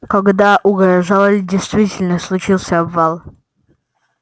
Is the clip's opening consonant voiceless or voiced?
voiceless